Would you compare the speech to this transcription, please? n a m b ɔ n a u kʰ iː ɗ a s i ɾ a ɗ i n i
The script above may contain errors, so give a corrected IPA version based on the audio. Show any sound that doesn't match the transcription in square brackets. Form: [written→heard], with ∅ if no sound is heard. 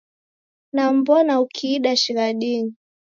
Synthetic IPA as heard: n a m b ɔ n a u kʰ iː ɗ a [s→ʃ] i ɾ a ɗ i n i